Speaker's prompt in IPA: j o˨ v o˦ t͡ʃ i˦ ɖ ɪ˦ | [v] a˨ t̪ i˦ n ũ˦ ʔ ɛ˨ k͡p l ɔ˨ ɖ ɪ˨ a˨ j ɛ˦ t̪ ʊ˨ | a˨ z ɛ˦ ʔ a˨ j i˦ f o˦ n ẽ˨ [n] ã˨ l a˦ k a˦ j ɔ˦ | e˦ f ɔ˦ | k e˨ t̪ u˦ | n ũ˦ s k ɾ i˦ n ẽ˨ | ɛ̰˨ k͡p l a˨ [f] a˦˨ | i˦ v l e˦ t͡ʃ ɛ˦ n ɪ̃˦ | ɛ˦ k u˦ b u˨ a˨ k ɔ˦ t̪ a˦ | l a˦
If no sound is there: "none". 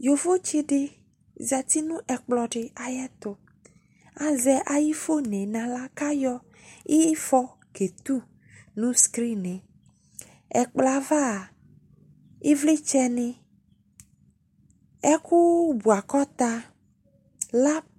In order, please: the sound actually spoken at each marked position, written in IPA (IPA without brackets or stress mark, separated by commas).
z, n, v